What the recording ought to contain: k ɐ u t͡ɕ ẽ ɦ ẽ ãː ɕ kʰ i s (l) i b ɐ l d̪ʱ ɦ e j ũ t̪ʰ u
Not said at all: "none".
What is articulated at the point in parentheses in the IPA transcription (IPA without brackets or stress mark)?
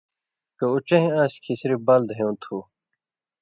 ɾ